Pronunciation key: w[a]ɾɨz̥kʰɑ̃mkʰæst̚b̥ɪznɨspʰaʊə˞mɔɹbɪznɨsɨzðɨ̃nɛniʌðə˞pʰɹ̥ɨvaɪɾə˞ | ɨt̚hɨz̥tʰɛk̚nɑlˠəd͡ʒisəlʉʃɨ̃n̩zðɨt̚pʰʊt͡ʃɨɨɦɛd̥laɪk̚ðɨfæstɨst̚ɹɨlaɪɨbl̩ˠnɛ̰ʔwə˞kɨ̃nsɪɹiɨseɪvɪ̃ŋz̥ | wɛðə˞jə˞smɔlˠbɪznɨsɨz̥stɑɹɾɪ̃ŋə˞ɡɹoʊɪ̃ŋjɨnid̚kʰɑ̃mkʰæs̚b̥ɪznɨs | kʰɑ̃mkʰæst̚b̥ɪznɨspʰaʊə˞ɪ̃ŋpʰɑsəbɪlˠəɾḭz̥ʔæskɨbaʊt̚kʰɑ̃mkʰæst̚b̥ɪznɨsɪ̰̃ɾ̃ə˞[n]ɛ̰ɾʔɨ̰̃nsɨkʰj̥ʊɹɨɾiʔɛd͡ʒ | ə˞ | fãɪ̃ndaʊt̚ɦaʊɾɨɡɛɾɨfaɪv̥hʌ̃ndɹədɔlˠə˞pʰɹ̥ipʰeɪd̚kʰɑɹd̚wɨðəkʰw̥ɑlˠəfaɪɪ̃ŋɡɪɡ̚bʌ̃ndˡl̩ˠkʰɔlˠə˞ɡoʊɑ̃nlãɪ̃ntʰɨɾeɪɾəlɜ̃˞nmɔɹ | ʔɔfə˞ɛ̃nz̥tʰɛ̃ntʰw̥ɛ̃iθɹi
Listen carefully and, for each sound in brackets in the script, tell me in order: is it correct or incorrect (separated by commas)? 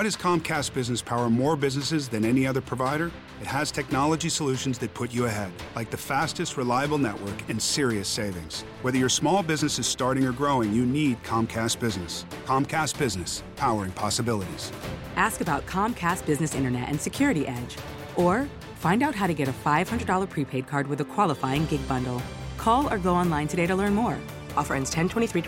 incorrect, correct